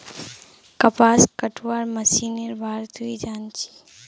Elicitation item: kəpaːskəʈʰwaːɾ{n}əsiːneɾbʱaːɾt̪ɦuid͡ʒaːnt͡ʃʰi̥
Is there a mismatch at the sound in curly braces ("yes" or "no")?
yes